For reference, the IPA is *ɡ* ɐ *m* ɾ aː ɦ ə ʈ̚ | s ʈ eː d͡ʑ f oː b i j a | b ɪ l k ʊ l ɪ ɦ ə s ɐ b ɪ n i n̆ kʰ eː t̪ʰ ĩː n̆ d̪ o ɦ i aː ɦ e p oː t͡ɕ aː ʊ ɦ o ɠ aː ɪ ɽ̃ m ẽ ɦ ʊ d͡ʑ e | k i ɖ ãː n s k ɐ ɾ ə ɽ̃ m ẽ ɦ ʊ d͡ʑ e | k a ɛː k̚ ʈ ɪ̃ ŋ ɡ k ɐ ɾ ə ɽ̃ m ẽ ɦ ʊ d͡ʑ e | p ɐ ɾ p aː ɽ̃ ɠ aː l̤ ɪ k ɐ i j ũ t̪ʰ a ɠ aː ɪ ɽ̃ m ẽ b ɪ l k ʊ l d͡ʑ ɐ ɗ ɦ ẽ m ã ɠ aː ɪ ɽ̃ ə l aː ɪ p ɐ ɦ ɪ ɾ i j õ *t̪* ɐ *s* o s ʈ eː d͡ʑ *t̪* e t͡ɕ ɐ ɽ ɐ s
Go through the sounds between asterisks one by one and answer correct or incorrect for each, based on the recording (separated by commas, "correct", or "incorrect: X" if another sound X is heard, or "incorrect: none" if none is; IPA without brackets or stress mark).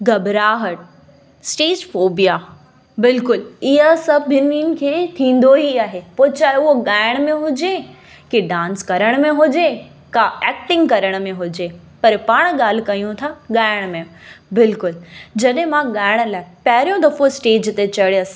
correct, incorrect: b, incorrect: d̪, incorrect: f, correct